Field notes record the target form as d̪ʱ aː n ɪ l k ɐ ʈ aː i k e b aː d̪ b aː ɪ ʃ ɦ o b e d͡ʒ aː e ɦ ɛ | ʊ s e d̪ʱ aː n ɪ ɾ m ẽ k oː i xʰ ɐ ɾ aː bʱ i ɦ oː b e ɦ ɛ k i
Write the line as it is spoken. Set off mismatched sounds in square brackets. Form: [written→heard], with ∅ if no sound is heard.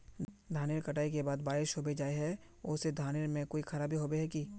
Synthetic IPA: d̪ʱ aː n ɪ [l→ɾ] k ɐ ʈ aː i k e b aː d̪ b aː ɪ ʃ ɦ o b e d͡ʒ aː e ɦ ɛ | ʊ s e d̪ʱ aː n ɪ ɾ m ẽ k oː i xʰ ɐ ɾ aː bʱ i ɦ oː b e ɦ ɛ k i